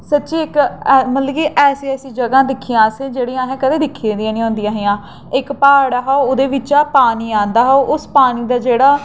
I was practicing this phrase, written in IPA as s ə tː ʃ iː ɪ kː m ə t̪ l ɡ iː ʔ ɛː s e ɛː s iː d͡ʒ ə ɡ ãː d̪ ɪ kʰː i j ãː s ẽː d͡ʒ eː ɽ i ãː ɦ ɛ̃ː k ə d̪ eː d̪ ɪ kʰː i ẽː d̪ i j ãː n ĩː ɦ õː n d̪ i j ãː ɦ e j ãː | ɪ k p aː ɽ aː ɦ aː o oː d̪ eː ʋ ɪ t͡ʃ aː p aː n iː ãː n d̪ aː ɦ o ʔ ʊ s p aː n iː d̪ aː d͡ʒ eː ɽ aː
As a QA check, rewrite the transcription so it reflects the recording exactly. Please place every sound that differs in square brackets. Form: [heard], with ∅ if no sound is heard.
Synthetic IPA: s ə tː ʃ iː ɪ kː m ə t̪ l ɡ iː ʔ ɛː s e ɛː s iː d͡ʒ ə ɡ ãː d̪ ɪ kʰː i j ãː s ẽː d͡ʒ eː ɽ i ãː ɦ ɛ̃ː k ə d̪ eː d̪ ɪ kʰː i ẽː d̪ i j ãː n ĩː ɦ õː n d̪ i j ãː ɦ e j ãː | ɪ k p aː ɽ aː ɦ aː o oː d̪ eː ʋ ɪ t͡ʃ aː p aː n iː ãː n d̪ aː ɦ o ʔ ʊ s p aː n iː d̪ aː d͡ʒ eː ɽ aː